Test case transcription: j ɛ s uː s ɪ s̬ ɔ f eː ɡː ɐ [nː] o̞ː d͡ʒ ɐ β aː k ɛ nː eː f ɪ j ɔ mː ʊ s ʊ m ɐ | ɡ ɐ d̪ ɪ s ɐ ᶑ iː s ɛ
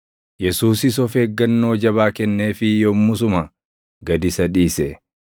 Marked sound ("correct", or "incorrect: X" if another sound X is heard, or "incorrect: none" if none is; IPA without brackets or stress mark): correct